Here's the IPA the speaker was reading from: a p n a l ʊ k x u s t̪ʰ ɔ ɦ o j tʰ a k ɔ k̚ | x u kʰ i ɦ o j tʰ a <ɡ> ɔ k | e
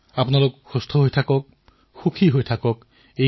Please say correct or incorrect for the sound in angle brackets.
incorrect